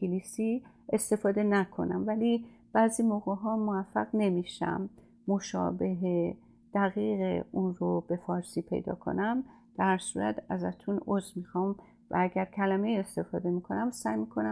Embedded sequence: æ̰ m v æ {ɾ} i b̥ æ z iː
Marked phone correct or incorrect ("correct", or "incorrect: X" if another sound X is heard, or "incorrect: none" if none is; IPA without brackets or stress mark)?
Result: incorrect: l